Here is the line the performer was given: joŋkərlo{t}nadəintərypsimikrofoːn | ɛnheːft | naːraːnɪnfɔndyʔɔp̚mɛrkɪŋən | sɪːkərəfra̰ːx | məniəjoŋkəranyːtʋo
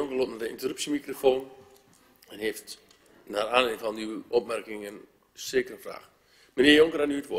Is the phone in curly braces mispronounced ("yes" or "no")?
no